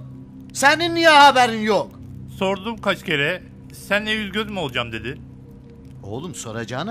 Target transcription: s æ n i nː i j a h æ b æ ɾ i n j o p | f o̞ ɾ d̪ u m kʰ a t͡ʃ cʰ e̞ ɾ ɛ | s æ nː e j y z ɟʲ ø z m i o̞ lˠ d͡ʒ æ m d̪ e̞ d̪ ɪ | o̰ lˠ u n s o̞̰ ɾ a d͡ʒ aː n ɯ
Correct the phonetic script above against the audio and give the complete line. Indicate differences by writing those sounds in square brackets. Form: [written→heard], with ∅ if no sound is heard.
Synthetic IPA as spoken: s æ n i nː i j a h [æ→a] b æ ɾ i n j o [p→k] | [f→s] o̞ ɾ d̪ u m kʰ a t͡ʃ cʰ e̞ ɾ ɛ | s æ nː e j y z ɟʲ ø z m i o̞ lˠ d͡ʒ [æ→a] m d̪ e̞ d̪ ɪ | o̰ lˠ u [n→m] s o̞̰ ɾ a d͡ʒ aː n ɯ